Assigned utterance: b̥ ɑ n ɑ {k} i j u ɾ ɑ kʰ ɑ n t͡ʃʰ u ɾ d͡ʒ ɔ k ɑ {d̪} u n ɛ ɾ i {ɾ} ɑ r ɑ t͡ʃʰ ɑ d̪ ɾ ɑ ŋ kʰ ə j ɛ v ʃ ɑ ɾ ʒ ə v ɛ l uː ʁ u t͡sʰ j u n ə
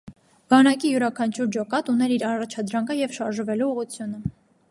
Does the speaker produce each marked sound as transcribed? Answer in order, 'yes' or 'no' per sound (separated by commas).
yes, no, yes